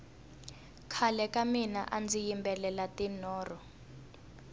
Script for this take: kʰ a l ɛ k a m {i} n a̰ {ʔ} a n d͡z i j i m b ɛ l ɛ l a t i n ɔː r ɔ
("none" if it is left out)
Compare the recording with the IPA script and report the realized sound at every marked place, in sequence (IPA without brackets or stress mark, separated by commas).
i, ʔ